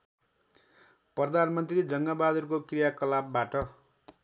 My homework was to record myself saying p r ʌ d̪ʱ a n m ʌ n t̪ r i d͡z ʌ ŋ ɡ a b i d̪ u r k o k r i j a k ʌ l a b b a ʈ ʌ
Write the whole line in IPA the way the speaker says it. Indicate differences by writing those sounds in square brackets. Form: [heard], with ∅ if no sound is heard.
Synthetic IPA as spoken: p r ʌ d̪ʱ a n m ʌ n t̪ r i d͡z ʌ ŋ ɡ a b [a] d̪ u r k o k r i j a k ʌ l a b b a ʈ ʌ